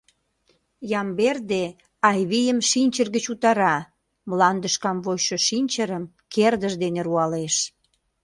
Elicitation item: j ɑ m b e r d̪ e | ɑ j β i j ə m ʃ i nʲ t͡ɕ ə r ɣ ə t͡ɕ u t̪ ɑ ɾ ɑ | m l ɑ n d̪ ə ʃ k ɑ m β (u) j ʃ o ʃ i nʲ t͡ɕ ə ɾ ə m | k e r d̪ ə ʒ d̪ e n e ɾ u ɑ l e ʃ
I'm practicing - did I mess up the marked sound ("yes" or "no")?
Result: yes